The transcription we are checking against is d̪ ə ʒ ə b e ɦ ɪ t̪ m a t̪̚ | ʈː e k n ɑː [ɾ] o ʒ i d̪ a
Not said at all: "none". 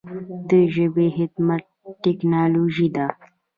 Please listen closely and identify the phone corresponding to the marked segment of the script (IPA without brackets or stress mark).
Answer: l